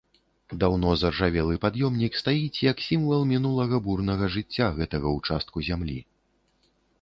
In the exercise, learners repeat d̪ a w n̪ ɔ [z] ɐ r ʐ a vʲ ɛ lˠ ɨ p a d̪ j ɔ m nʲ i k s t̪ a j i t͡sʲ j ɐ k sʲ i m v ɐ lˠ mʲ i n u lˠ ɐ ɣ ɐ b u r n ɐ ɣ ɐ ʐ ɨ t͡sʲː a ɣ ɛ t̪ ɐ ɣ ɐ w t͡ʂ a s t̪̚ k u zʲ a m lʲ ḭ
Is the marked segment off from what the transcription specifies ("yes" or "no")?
no